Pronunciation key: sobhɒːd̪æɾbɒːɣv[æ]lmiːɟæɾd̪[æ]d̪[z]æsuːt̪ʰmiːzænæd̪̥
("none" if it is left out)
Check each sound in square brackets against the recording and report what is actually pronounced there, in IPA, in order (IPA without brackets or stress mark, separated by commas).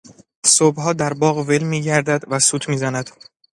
e, æ, v